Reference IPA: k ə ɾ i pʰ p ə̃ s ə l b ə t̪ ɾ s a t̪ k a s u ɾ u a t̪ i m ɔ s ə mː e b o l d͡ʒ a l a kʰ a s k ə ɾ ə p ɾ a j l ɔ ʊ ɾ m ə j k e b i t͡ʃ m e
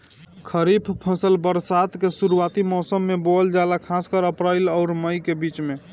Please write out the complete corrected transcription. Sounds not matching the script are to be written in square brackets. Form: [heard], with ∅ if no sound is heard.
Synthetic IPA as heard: [kʰ] ə ɾ i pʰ [pʰ] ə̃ s ə l b ə [∅] ɾ s a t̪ k [e] s u ɾ u a t̪ i m ɔ s ə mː e b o l d͡ʒ a l a kʰ a s k ə ɾ ə p ɾ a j l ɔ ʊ ɾ m ə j k e b i t͡ʃ m e

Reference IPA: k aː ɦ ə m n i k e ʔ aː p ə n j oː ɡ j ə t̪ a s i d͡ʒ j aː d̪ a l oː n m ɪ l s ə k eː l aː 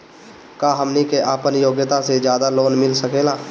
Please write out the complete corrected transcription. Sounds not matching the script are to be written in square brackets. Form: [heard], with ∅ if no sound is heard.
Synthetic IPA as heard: k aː ɦ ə m n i k e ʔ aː p ə n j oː ɡ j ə t̪ a s [e] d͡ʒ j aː d̪ a l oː n m ɪ l s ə k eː l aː

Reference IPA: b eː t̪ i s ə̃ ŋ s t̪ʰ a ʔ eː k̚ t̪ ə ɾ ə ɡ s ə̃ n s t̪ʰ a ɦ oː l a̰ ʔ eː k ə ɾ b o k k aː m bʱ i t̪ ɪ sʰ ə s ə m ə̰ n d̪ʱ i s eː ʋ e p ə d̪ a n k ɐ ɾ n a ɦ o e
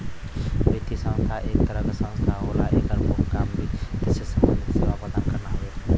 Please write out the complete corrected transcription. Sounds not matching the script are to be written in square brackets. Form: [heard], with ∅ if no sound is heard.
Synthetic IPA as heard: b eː t̪ i s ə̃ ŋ s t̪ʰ a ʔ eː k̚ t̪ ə ɾ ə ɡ s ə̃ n s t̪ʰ a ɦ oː l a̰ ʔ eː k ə ɾ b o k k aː m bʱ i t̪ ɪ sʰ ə s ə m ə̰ n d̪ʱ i s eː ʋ [a] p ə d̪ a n k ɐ ɾ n a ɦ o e

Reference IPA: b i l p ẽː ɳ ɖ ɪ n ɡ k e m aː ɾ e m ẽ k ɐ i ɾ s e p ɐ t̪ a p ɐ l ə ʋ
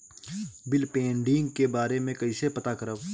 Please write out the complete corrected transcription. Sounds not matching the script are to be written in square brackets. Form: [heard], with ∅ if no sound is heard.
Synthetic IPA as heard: b [ɪ] l p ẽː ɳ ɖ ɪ [ŋ] ɡ k e [b] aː ɾ e m ẽ k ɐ i [∅] s e p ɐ t̪ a [k] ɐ [ɾ] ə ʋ

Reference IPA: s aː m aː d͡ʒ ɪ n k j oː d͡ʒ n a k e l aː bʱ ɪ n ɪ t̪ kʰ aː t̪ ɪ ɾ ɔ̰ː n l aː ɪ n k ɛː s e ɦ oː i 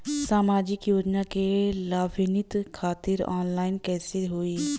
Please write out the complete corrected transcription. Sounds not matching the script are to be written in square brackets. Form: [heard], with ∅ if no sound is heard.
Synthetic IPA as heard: s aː m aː d͡ʒ ɪ [∅] k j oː d͡ʒ n a k e l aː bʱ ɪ n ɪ t̪ kʰ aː t̪ ɪ ɾ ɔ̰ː n l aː ɪ n k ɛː s e ɦ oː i

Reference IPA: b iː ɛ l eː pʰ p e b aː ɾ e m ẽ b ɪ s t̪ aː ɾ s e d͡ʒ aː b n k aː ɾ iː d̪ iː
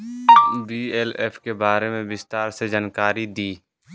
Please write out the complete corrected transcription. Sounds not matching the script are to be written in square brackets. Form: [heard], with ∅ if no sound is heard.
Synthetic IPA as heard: b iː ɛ l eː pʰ [k] e b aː ɾ e m ẽ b ɪ s t̪ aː ɾ s e d͡ʒ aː [∅] n k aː ɾ [i] d̪ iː

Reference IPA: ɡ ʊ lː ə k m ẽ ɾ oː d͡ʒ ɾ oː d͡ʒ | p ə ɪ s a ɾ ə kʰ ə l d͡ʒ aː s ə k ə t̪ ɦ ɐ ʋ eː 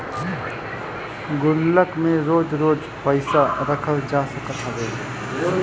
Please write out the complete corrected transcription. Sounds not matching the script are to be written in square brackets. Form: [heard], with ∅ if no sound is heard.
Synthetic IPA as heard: ɡ ʊ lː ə k m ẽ ɾ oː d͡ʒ ɾ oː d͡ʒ | p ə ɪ s a ɾ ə kʰ ə l d͡ʒ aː s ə k ə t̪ ɦ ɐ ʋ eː

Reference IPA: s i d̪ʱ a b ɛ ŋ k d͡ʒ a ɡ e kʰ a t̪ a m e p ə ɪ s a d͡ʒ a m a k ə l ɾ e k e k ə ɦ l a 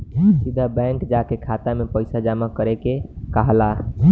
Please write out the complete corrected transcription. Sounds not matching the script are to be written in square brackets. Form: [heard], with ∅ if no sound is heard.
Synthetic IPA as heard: s i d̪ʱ a b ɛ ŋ k d͡ʒ a [k] e kʰ a t̪ a m e p ə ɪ s a d͡ʒ a m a k ə [∅] ɾ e k e k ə ɦ l a

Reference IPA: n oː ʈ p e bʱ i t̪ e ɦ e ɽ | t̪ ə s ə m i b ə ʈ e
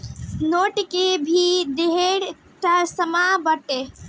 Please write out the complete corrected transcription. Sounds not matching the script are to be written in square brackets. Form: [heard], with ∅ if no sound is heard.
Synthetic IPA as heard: n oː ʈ [k] e bʱ i [d̪] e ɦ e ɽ | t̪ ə s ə m [a] b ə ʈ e

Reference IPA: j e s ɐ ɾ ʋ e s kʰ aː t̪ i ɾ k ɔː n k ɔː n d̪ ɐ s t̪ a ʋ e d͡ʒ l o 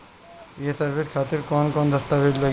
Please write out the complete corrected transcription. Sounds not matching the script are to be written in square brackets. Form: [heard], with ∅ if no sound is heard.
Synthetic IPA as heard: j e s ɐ ɾ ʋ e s kʰ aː t̪ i ɾ k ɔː n k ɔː n d̪ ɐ s t̪ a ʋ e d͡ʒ l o

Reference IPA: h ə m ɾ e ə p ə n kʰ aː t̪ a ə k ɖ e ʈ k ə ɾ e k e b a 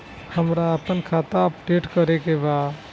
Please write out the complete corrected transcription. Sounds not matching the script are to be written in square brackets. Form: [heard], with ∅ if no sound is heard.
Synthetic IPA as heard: h ə m ɾ [a] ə p ə n kʰ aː t̪ a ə [p] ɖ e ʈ k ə ɾ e k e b a

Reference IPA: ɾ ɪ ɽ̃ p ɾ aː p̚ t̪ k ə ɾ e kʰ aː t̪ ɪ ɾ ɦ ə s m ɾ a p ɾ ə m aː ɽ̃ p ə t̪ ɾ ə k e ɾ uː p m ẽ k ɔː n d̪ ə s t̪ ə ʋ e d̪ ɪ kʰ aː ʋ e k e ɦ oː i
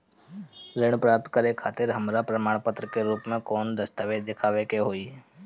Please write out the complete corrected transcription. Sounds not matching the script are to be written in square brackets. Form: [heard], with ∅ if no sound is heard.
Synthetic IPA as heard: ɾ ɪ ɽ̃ p ɾ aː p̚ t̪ k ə ɾ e kʰ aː t̪ ɪ ɾ ɦ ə [∅] m ɾ a p ɾ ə m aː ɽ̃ p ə t̪ ɾ ə k e ɾ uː p m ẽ k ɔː n d̪ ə s t̪ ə ʋ e d̪ ɪ kʰ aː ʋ e k e ɦ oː i

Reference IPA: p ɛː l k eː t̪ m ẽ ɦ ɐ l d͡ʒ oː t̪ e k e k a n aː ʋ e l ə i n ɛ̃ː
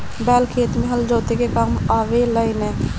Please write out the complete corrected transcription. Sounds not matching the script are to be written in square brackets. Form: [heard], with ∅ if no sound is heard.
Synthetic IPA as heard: [b] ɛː l [kʰ] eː t̪ m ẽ ɦ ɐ l d͡ʒ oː t̪ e k e k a [m] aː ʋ e l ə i n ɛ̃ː

